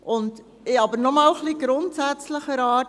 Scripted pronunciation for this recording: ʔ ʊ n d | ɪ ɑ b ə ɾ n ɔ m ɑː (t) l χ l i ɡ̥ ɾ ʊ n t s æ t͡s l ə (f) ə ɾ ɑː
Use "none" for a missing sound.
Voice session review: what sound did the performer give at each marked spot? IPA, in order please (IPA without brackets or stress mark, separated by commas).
none, χ